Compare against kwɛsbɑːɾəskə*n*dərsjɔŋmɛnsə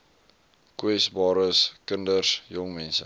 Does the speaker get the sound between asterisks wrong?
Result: no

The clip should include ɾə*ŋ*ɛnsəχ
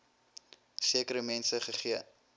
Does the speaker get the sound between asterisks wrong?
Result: yes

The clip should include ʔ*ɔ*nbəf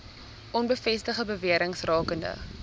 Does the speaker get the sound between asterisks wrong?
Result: no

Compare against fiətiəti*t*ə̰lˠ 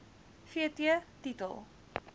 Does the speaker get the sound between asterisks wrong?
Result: no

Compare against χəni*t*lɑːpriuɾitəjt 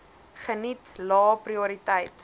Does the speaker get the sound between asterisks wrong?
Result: no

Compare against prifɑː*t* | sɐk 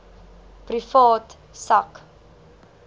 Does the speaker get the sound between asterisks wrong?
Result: no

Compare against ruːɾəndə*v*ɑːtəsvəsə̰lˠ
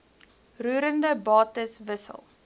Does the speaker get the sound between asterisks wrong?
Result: yes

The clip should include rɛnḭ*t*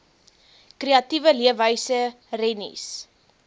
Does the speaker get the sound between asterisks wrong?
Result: yes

